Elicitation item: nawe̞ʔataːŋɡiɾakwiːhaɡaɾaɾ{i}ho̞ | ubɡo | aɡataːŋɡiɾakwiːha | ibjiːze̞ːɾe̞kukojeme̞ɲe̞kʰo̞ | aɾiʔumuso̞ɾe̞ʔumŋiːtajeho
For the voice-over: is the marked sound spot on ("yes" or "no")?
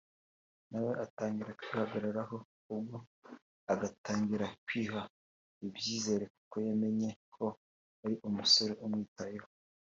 no